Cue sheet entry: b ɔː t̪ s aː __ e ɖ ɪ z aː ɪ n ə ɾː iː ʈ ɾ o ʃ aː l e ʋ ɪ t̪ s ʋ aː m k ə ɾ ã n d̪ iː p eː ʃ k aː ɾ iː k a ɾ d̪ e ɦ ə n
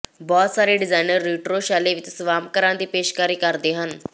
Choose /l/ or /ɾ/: ɾ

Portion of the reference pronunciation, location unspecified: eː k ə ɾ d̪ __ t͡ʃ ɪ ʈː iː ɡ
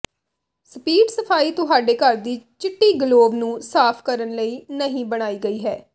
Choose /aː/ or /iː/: iː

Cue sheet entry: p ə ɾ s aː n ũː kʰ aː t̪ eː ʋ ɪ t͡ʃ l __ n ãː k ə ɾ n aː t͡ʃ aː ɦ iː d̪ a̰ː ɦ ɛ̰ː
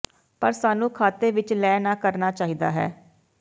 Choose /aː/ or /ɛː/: ɛː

